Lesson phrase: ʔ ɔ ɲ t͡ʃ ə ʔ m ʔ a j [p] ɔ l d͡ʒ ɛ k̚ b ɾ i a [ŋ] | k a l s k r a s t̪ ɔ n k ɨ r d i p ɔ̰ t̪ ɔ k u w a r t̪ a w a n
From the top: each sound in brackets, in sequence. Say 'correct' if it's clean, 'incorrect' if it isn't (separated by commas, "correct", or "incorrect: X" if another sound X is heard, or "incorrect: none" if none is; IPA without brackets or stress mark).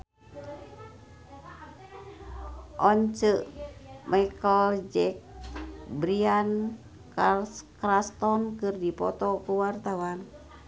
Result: incorrect: k, incorrect: n